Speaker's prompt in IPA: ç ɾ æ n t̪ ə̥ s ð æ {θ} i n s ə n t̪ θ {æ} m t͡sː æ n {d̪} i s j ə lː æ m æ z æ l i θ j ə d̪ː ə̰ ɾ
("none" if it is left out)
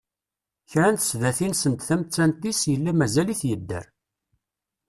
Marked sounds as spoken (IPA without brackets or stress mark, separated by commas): θ, æ, t̪